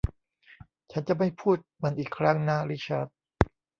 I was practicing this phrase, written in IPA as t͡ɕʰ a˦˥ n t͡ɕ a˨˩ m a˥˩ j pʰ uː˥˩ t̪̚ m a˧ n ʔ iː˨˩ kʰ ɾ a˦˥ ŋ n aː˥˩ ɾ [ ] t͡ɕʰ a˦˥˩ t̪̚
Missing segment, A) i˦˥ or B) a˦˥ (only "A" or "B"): A